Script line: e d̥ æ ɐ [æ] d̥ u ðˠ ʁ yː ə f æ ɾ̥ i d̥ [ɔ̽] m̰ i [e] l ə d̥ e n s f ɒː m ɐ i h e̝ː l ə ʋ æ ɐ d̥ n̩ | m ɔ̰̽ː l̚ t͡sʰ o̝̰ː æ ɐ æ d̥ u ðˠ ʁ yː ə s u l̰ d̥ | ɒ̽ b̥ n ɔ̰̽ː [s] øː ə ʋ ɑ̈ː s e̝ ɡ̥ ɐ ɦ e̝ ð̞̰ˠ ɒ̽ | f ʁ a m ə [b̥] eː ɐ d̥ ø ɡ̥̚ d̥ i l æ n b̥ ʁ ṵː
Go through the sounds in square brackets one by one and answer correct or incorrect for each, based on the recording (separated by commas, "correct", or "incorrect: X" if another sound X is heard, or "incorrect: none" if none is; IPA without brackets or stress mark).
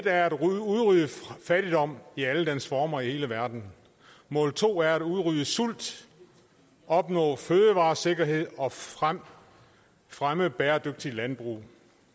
correct, incorrect: ɒ̽, incorrect: æ, incorrect: f, correct